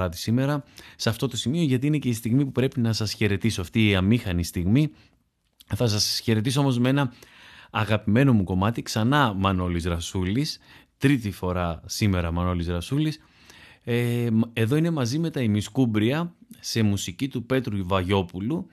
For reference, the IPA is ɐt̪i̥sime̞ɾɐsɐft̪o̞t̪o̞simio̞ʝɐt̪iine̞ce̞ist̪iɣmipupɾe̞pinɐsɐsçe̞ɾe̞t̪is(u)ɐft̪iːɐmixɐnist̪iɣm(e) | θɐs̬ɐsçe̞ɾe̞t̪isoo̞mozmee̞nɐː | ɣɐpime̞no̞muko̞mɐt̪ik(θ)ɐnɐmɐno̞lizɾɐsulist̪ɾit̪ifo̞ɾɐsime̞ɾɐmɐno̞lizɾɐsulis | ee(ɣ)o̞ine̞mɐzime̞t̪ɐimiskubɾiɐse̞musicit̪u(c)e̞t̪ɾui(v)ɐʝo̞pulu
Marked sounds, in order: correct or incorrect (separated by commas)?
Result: incorrect, incorrect, incorrect, incorrect, incorrect, correct